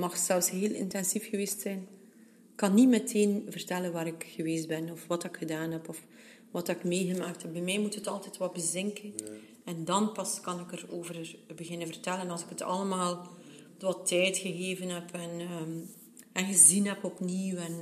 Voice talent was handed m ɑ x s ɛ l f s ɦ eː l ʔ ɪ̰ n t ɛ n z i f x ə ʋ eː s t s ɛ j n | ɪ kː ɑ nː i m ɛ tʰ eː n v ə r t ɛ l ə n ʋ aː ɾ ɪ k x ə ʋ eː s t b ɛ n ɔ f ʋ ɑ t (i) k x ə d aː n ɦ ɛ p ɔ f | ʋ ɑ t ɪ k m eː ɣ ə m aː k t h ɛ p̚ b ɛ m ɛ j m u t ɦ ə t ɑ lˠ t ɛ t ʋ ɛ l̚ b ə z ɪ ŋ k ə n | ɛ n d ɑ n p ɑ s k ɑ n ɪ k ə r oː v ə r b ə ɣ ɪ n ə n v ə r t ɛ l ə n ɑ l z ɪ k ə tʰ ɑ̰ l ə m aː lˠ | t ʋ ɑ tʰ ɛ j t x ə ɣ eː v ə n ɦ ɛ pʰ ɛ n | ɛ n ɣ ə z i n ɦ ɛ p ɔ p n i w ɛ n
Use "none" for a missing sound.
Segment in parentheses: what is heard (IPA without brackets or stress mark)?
ɪ